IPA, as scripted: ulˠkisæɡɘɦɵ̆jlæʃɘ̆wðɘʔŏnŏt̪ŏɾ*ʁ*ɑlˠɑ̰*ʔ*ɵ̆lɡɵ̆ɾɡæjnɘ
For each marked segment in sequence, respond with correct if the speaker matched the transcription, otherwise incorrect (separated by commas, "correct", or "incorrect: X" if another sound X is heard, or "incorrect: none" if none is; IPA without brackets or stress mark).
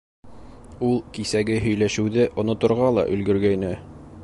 correct, correct